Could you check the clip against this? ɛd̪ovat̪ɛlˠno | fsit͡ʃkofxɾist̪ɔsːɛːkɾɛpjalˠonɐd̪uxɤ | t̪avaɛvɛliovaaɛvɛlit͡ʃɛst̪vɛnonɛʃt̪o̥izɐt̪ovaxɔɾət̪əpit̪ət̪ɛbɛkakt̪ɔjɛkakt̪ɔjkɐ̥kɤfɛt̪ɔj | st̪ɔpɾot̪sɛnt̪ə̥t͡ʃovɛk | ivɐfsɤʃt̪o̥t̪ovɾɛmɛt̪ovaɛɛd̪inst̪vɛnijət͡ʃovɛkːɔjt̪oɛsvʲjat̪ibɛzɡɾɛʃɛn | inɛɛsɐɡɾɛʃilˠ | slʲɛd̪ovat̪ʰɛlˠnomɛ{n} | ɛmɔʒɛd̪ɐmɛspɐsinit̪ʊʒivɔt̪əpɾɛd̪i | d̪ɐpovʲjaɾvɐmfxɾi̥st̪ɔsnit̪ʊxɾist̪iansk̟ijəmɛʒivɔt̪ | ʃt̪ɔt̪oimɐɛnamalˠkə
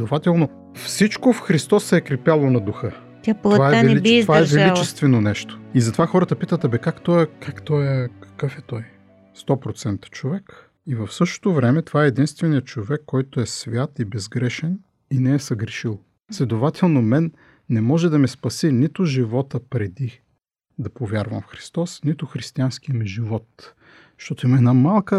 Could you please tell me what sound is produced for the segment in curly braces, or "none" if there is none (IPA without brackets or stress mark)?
nː